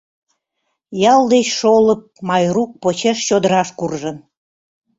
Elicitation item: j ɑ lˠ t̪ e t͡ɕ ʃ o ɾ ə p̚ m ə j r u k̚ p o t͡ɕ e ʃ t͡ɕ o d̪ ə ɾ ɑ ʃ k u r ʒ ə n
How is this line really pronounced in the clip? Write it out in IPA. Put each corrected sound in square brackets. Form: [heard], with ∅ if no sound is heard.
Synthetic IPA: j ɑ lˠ [d̪] e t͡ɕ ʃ o [l] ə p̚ m [ɑ] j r u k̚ p o t͡ɕ e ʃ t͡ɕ o d̪ ə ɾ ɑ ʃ k u r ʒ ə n